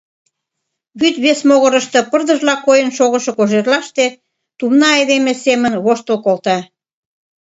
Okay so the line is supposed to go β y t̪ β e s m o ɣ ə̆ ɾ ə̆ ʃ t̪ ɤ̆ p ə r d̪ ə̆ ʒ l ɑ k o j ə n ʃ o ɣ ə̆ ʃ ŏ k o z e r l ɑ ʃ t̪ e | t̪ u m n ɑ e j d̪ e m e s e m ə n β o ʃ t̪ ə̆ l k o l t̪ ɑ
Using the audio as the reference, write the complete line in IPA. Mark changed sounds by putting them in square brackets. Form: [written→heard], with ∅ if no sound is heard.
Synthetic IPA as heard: β y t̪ β e s m o ɣ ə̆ ɾ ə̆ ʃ t̪ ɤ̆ p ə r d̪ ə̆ ʒ l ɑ k o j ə n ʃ o ɣ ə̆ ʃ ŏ k o [z→ʒ] e r l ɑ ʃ t̪ e | t̪ u m n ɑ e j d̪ e m e s e m ə n β o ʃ t̪ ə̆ l k o l t̪ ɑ